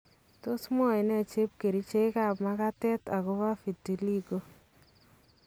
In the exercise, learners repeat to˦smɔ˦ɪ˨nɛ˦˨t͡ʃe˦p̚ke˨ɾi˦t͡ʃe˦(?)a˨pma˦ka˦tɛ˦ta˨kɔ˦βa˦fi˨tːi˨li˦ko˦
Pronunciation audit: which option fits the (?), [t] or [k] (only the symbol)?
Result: k